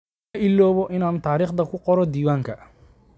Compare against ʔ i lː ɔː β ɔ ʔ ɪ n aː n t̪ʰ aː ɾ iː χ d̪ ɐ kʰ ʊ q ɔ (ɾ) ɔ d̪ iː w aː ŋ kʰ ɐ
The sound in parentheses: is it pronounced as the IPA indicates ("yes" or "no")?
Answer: yes